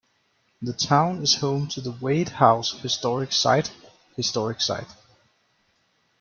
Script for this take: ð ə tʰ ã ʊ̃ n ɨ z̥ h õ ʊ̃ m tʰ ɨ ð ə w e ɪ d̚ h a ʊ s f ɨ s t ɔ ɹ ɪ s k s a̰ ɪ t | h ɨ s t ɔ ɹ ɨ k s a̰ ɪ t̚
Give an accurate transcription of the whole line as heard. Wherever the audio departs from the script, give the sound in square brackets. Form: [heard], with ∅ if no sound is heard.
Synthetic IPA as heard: ð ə tʰ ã ʊ̃ n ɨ z̥ h õ ʊ̃ m tʰ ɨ ð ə w e ɪ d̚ h a ʊ s [h] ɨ s t ɔ ɹ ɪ [∅] k s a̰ ɪ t | h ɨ s t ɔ ɹ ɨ k s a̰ ɪ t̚